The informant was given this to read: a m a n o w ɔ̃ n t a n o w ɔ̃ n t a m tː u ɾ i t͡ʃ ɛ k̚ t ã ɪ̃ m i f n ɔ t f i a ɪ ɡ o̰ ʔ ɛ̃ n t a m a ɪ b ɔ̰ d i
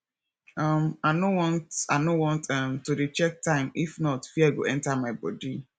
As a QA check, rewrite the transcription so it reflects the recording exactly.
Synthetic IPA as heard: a m a n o w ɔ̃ n t a n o w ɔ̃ n t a m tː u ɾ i t͡ʃ ɛ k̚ t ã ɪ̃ m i f n ɔ t f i a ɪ ɡ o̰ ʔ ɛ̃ n t a m a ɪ b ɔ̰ d i